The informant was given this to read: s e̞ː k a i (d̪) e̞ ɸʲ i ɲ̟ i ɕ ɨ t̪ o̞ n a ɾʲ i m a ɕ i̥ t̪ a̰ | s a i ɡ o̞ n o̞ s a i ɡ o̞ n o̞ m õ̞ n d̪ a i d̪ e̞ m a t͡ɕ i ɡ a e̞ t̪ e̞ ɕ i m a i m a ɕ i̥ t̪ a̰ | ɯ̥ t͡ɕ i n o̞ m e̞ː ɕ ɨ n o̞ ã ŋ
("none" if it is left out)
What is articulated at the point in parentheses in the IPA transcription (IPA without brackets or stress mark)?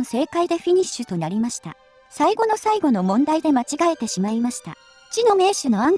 d̪